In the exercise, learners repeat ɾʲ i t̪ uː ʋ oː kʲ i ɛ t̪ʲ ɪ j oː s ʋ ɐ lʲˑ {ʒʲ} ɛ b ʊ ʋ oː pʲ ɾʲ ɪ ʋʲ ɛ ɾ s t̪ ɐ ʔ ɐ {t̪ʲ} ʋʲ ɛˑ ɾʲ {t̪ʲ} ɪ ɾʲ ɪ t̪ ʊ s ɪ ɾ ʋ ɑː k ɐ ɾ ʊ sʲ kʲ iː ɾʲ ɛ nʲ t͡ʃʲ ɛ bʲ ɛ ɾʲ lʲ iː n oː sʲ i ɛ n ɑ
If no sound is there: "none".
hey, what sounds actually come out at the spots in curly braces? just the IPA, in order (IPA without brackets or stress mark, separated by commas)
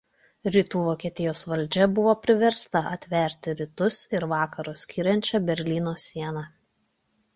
d͡ʒʲ, t̪ʲ, t̪ʲ